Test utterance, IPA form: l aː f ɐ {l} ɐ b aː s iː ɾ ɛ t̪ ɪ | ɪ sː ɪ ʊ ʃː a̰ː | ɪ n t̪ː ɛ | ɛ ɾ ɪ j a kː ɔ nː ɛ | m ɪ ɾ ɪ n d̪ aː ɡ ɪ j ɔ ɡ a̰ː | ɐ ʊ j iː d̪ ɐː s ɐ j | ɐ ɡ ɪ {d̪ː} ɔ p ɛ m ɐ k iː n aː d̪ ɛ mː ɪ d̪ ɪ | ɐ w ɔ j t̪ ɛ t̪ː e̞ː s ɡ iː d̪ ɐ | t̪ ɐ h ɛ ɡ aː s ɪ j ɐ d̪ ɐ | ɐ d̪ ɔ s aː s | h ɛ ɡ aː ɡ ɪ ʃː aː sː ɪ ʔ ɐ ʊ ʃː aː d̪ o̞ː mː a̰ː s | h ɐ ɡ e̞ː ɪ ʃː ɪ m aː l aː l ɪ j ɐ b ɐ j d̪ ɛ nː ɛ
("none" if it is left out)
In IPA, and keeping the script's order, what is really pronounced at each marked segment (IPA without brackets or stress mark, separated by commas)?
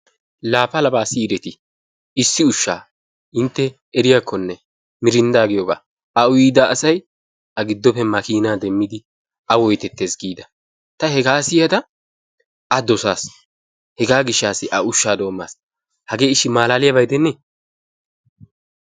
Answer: l, d̪ː